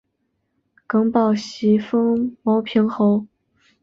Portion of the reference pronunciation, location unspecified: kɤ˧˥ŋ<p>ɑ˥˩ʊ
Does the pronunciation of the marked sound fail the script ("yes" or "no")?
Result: no